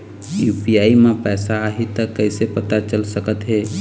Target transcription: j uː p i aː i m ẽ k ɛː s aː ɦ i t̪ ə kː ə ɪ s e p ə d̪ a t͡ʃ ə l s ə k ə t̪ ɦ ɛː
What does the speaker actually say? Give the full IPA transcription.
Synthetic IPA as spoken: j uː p i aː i m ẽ p ɛː s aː ɦ i t̪ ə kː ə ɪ s e p ə t̪ a t͡ʃ ə l s ə k ə t̪ ɦ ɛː